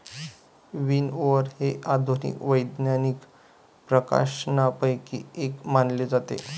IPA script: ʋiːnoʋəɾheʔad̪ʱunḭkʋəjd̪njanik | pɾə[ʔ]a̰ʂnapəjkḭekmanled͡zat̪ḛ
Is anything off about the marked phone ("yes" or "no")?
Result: yes